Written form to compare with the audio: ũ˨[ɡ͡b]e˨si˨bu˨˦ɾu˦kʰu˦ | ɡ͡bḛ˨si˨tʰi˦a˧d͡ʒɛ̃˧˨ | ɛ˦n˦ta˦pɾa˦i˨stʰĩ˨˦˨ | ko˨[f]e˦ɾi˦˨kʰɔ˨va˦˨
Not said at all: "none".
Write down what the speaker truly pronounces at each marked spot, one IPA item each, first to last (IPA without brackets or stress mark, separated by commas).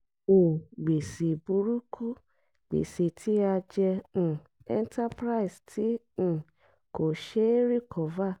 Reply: ɡ͡b, ʃ